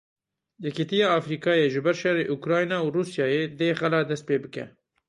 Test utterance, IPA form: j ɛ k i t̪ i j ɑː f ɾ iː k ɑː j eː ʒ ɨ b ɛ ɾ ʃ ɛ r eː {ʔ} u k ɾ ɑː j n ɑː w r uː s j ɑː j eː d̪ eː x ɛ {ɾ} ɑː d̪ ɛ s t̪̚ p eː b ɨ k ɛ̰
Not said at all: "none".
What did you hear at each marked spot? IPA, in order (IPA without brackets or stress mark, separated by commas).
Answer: ʔ, l